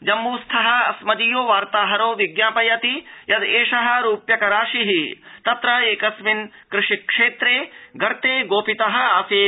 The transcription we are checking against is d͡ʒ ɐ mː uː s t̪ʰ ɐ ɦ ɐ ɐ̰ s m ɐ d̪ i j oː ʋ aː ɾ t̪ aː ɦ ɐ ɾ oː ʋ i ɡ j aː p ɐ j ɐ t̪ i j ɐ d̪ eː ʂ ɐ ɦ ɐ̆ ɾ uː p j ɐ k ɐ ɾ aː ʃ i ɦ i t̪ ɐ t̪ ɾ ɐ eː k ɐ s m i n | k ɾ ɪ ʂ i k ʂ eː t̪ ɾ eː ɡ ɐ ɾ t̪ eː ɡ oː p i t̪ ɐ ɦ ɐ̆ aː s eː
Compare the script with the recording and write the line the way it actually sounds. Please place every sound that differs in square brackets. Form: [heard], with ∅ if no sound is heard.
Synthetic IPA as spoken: d͡ʒ ɐ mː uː s t̪ʰ ɐ ɦ ɐ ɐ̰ s m ɐ d̪ i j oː ʋ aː ɾ t̪ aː ɦ ɐ ɾ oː ʋ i ɡ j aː p ɐ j ɐ t̪ i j ɐ d̪ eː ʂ ɐ ɦ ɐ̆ ɾ uː p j ɐ k ɐ ɾ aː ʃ i ɦ i t̪ ɐ t̪ ɾ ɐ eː k ɐ s m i n | k ɾ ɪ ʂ i k ʂ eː t̪ ɾ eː ɡ ɐ ɾ t̪ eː ɡ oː p i t̪ ɐ ɦ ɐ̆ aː s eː